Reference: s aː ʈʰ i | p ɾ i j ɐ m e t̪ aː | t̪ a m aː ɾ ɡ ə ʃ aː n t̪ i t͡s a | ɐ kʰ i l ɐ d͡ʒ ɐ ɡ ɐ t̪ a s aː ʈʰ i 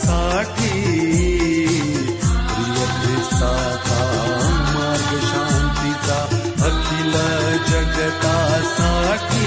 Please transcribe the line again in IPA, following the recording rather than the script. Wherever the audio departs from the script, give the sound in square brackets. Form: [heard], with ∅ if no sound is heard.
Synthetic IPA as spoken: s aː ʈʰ i | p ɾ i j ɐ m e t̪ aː | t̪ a m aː ɾ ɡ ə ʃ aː n t̪ i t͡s a | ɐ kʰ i l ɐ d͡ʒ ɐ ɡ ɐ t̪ a s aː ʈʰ i